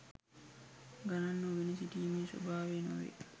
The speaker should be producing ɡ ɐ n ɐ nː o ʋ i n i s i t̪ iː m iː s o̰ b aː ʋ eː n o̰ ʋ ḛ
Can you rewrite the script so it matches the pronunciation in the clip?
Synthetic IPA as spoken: ɡ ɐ n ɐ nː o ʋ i n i s i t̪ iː m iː s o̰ b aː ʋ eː n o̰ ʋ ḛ